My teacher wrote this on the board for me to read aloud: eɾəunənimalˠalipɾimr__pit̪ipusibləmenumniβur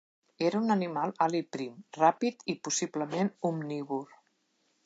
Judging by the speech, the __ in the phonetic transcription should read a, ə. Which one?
a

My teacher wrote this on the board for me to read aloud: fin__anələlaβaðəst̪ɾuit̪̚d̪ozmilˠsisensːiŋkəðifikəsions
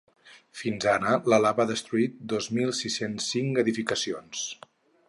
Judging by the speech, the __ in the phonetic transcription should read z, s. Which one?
z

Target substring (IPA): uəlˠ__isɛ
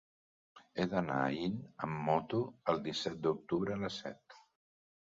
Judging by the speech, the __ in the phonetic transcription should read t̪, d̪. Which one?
d̪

